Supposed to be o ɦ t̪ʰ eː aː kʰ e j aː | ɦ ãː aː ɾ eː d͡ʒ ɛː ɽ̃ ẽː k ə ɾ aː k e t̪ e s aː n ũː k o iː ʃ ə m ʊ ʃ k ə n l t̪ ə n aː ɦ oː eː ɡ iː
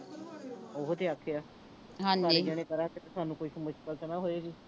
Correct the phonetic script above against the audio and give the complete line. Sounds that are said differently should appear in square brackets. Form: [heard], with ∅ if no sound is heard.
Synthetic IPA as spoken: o ɦ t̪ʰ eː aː kʰ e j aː | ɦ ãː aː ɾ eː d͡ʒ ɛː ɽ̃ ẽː k ə ɾ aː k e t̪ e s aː n ũː k o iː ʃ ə m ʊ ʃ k ə [∅] l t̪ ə n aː ɦ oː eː ɡ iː